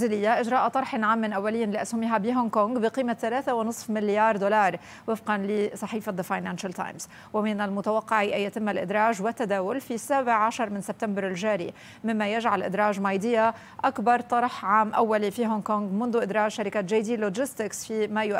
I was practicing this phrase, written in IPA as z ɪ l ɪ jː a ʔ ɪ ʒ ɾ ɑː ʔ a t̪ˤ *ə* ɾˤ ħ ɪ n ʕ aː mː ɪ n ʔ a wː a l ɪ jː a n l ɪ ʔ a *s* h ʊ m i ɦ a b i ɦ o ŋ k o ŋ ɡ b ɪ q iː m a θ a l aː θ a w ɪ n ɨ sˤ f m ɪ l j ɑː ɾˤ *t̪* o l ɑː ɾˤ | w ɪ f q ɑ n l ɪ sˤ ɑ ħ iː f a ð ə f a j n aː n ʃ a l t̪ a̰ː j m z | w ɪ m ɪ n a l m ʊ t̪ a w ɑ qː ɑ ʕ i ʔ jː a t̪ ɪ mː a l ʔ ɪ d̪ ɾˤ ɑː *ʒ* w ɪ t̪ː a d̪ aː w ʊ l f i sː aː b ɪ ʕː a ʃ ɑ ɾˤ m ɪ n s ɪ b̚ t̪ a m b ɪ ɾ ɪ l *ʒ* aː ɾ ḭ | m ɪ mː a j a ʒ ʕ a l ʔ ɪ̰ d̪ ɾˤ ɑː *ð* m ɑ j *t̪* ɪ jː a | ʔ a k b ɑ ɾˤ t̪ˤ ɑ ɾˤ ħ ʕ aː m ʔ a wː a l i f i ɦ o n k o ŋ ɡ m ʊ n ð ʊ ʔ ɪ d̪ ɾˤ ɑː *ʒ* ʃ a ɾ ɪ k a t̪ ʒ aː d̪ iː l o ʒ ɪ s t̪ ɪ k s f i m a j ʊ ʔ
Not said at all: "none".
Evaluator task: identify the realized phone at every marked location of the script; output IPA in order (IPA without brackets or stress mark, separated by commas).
ɑ, s, d̪, ʒ, ʒ, ʒ, d̪, ʒ